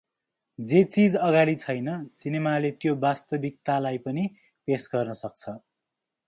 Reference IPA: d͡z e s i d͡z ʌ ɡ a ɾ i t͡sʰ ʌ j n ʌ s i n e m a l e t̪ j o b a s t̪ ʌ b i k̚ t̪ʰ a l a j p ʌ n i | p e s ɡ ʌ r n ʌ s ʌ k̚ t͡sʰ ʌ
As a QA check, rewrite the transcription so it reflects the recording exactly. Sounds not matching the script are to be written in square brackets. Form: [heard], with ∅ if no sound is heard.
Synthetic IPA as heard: d͡z e [t͡s] i d͡z ʌ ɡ a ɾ i t͡sʰ ʌ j n ʌ s i n e m a l e t̪ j o b a s t̪ ʌ b i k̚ [t̪] a l a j p ʌ n i | p e s ɡ ʌ r n ʌ s ʌ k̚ t͡sʰ ʌ